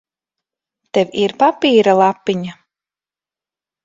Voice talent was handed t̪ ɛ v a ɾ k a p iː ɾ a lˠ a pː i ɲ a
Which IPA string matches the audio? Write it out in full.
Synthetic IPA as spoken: t̪ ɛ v i ɾ p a p iː ɾ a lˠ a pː i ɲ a